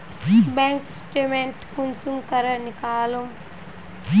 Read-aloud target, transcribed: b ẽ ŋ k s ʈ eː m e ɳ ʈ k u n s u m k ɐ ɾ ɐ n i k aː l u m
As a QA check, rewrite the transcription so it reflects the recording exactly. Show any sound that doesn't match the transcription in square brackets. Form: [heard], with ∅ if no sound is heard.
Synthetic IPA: b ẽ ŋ k s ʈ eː m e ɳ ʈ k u n s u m k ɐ ɾ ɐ n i k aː l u m